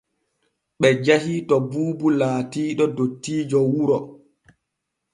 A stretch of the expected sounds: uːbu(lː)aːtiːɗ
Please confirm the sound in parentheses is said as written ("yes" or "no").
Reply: no